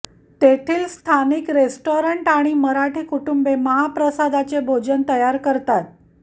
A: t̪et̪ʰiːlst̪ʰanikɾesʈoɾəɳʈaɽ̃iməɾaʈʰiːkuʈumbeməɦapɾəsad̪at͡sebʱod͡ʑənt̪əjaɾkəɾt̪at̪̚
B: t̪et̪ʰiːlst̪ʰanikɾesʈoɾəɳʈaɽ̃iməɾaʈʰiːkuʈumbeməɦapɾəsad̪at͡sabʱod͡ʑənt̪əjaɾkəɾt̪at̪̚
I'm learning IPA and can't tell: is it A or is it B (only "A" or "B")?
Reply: A